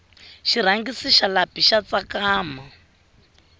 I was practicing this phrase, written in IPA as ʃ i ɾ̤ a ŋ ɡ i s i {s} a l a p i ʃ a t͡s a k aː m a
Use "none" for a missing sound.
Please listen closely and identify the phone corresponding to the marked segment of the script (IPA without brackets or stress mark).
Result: ʃ